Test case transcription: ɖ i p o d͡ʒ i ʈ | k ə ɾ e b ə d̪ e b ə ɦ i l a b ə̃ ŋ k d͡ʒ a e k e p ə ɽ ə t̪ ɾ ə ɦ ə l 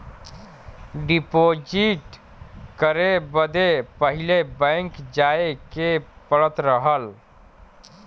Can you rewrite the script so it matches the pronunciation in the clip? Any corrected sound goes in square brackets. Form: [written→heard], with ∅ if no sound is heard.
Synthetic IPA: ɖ i p o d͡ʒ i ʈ | k ə ɾ e b ə d̪ e [b→p] ə ɦ i l [a→e] b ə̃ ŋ k d͡ʒ a e k e p ə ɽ ə t̪ ɾ ə ɦ ə l